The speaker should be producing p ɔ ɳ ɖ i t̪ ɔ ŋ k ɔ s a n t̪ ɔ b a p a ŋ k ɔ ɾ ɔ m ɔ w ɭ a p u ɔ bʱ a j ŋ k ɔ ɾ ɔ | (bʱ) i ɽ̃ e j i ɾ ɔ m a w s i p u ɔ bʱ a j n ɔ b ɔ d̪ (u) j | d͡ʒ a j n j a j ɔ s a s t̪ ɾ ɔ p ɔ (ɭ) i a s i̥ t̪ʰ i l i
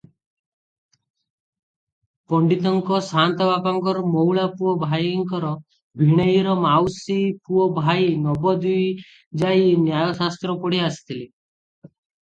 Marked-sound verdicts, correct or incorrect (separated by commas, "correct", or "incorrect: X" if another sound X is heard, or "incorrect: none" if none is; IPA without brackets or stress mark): correct, correct, incorrect: ɽ